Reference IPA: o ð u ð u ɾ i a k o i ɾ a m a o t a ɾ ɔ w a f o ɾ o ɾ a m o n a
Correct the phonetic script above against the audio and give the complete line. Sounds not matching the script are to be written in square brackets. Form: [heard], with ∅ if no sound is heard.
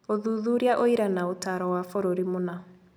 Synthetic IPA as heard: o ð u ð u ɾ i a [ʔ] o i ɾ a [n] a o t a ɾ ɔ w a f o ɾ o ɾ [i] m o n a